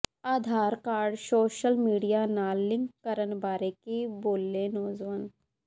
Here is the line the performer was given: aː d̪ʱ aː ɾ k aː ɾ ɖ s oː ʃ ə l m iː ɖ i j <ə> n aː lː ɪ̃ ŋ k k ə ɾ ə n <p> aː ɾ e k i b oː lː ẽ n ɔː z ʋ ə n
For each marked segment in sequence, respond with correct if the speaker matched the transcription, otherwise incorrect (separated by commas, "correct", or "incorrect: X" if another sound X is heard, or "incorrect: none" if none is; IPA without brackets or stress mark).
incorrect: a, incorrect: b